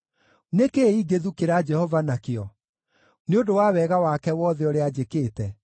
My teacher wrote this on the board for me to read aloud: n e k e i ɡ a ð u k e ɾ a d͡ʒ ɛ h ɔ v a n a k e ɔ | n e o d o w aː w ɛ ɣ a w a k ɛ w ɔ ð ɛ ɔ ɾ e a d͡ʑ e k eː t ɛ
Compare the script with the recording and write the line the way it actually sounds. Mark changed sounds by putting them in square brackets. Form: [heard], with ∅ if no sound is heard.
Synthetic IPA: n e k e i ɡ [e] ð u k e ɾ a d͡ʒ ɛ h ɔ v a n a k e ɔ | n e o d o w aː w ɛ ɣ a w a k ɛ w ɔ ð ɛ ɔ ɾ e a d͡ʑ e k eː t ɛ